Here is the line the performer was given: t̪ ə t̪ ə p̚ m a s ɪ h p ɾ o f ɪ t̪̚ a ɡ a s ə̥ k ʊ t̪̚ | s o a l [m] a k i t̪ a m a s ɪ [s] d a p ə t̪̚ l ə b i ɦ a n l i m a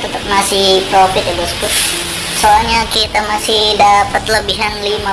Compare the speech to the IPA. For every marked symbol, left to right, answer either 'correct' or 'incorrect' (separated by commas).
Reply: incorrect, incorrect